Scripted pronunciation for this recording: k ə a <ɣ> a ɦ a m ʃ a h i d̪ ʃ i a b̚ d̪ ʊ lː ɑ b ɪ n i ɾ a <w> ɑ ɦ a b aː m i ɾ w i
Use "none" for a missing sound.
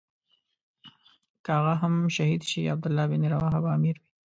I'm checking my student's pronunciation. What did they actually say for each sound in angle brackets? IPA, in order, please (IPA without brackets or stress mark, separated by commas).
ɣ, w